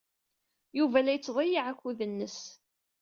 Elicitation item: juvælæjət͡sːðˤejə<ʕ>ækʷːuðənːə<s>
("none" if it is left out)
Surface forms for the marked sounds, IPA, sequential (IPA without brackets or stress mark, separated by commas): ʕ, s